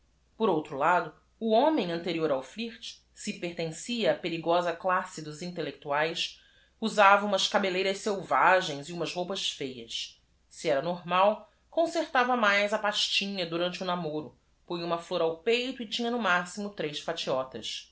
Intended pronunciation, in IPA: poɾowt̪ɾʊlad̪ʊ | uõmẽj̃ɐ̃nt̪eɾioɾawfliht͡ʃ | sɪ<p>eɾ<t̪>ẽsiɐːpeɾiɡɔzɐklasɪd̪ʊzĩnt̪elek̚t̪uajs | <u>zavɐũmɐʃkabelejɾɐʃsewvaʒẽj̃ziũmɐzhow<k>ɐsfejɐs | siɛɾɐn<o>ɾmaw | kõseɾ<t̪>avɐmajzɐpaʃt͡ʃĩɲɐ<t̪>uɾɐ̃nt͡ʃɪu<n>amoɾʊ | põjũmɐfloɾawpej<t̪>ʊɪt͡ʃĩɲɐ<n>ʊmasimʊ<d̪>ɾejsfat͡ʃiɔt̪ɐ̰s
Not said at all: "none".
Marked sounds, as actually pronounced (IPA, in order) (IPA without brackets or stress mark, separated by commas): p, t̪, u, p, o, t̪, d̪, n, t̪, n, t̪